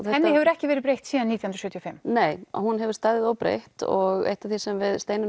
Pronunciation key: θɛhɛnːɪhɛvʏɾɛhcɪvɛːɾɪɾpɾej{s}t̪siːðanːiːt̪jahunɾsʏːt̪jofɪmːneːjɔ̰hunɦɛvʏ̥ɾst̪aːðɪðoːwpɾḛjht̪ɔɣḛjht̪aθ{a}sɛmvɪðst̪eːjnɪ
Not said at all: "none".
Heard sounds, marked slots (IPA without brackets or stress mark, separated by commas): h, i